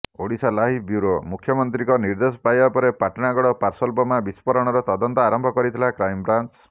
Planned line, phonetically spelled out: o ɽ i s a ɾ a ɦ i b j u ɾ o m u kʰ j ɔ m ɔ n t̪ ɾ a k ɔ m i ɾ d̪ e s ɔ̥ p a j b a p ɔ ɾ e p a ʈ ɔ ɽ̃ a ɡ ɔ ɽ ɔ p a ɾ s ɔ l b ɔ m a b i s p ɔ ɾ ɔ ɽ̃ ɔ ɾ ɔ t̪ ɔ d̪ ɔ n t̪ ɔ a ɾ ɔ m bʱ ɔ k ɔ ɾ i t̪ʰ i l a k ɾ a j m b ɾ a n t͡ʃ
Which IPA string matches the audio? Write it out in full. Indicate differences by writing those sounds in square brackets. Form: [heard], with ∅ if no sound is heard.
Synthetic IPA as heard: o ɽ i s a [l] a ɦ i b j u ɾ o m u kʰ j ɔ m ɔ n t̪ ɾ [i] k ɔ [n] i ɾ d̪ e s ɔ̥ p a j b a p ɔ ɾ e p a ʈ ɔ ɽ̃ a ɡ ɔ ɽ ɔ p a ɾ s ɔ l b ɔ m a b i s p ɔ ɾ ɔ ɽ̃ ɔ ɾ ɔ t̪ ɔ d̪ ɔ n t̪ ɔ a ɾ ɔ m bʱ ɔ k ɔ ɾ i t̪ʰ i l a k ɾ a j m b ɾ a n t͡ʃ